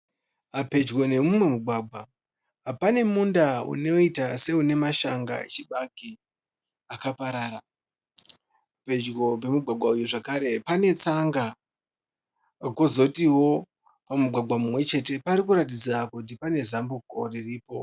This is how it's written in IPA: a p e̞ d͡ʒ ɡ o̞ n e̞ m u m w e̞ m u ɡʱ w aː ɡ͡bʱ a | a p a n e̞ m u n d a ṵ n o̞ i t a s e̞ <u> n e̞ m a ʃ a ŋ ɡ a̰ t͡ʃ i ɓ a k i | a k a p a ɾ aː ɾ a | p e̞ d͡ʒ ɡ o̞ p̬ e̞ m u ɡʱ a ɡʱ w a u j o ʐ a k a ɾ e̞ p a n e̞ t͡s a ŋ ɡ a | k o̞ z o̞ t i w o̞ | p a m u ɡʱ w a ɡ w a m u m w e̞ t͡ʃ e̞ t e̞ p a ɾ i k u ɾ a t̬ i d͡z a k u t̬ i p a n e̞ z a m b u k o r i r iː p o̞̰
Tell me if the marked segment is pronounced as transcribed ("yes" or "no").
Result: yes